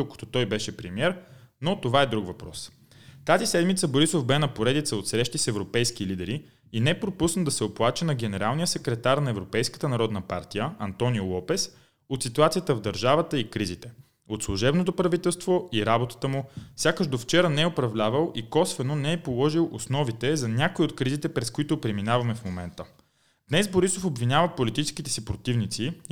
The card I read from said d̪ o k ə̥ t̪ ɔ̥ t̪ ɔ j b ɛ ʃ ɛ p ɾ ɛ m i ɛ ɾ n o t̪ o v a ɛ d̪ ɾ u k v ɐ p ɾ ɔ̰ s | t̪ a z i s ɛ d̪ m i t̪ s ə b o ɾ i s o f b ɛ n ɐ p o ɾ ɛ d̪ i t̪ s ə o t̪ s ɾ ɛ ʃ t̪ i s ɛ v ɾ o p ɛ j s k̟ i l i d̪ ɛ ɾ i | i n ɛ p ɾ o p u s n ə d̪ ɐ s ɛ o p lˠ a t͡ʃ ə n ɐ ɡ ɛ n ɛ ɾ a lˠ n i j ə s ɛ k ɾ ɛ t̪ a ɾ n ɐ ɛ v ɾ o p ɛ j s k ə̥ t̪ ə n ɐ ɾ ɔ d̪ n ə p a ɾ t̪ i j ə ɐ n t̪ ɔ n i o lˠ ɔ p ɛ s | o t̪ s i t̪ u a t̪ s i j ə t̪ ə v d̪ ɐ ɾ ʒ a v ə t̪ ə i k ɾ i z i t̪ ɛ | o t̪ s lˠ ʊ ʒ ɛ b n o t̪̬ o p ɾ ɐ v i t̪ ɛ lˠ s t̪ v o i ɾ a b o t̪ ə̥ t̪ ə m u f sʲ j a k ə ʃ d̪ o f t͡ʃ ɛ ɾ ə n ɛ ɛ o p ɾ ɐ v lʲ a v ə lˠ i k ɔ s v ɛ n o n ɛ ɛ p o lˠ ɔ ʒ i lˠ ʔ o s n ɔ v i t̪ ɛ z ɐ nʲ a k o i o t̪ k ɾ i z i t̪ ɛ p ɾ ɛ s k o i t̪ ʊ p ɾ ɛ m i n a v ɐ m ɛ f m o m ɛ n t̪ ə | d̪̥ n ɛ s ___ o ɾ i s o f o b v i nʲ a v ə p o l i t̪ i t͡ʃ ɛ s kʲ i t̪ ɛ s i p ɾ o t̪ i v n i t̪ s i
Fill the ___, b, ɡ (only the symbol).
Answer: b